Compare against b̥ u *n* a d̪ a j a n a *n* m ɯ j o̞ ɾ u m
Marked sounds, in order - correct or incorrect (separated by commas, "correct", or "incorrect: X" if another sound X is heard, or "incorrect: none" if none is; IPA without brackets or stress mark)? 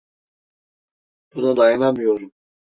correct, incorrect: none